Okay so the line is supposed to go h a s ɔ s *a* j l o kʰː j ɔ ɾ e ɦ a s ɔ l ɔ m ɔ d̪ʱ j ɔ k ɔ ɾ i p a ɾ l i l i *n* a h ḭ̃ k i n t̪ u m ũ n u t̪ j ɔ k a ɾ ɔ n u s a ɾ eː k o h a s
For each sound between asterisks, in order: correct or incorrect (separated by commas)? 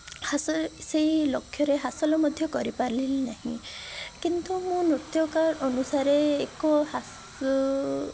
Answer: incorrect, correct